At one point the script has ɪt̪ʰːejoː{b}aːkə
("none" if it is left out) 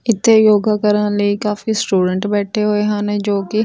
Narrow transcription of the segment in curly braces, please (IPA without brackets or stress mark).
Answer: ɡ